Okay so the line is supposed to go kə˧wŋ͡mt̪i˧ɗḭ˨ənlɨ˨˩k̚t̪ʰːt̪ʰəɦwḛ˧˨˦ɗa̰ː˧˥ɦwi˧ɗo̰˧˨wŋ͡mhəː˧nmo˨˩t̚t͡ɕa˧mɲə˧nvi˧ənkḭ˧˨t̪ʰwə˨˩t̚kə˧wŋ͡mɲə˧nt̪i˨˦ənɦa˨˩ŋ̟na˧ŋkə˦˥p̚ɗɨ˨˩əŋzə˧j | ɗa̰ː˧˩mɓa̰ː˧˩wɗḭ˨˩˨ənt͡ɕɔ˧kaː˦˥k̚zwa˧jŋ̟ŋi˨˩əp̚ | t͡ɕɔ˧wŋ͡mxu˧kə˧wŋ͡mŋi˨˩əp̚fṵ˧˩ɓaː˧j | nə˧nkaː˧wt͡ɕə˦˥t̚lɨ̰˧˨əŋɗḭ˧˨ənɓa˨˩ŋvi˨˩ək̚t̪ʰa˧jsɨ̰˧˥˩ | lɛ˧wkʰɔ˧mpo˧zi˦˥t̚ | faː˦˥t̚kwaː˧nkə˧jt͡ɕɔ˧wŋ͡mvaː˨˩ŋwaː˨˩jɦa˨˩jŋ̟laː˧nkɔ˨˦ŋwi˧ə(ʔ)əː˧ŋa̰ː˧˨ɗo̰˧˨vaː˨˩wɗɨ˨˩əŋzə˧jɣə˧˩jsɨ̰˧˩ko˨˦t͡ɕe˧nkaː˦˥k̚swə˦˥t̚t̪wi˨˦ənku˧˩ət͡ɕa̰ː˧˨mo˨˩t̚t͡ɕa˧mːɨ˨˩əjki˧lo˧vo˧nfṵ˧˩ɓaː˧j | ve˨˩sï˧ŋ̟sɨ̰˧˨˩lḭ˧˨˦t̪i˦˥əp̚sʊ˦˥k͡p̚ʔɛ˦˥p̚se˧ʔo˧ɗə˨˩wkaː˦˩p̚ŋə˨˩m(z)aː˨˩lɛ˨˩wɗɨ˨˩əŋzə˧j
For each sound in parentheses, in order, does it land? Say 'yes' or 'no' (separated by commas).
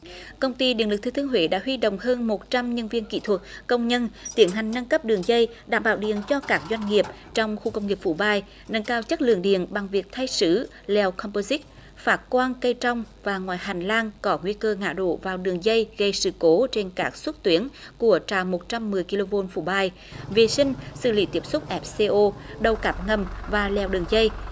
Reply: no, no